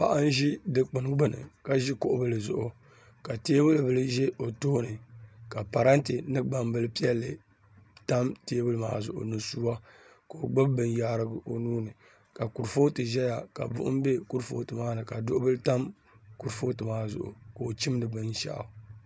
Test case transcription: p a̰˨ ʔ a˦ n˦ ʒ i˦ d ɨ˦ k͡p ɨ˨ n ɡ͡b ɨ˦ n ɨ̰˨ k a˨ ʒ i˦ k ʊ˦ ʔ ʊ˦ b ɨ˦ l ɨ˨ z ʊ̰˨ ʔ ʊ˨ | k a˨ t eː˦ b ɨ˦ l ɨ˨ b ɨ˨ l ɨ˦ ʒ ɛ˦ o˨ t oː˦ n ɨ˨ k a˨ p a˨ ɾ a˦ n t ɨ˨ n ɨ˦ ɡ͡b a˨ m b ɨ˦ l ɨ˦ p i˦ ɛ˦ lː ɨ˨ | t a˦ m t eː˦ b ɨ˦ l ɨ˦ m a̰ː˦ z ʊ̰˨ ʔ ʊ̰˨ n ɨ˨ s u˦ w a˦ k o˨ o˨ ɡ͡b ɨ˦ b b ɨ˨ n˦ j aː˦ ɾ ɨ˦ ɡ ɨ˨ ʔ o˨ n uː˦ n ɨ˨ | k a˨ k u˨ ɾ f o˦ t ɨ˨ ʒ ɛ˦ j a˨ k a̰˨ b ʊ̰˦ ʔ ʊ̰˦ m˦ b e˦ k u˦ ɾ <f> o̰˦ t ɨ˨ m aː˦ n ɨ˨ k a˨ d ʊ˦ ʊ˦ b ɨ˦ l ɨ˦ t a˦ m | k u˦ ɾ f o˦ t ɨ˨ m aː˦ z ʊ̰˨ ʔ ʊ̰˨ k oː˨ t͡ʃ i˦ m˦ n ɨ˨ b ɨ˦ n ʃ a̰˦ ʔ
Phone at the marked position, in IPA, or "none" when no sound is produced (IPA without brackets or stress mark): f